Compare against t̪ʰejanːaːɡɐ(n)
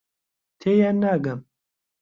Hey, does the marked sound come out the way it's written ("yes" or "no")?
no